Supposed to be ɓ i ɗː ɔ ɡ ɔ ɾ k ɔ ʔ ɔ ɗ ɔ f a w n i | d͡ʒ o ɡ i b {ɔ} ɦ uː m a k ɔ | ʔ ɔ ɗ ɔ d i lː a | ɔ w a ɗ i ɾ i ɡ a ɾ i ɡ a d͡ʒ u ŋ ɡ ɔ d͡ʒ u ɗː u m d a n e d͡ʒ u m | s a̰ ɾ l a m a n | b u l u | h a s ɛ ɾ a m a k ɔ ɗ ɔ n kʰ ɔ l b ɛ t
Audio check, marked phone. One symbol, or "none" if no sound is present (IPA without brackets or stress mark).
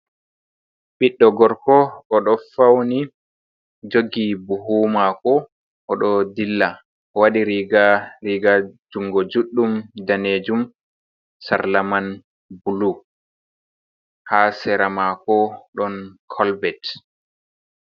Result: u